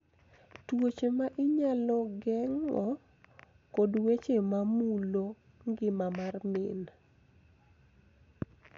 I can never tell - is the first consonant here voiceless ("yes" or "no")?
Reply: yes